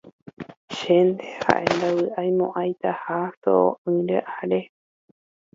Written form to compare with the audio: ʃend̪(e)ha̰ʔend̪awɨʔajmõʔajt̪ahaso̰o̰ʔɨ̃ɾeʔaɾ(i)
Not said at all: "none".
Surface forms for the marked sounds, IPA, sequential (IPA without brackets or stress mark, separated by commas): e, e